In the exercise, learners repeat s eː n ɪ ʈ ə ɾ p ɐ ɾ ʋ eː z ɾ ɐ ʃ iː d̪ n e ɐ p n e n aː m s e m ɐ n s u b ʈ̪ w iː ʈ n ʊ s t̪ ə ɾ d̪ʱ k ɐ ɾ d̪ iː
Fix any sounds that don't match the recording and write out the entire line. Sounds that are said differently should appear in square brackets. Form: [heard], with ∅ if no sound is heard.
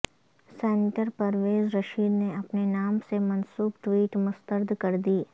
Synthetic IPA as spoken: s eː n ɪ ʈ ə ɾ p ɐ ɾ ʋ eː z ɾ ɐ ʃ iː d̪ n e ɐ p n e n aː m s e m ɐ n s [uː] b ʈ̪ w iː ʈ [m] ʊ s t̪ ə ɾ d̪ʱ k ɐ ɾ d̪ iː